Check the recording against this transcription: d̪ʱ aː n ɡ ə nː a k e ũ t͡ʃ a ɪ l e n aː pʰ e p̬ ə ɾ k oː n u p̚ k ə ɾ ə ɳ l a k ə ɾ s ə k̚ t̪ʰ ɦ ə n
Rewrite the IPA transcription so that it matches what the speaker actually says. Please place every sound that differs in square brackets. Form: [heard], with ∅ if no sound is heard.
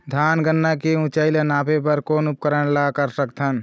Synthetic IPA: d̪ʱ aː n ɡ ə nː a k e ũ t͡ʃ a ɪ l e n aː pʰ e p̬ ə ɾ k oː n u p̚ k ə ɾ ə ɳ l a k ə ɾ s ə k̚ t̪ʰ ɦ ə n